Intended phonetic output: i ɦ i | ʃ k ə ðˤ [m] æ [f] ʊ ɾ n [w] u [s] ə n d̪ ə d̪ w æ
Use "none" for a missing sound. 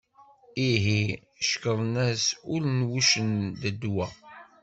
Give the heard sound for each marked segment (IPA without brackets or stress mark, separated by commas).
n, s, w, ʃ